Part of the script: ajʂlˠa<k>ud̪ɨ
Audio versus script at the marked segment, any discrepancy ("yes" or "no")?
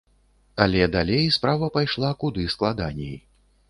no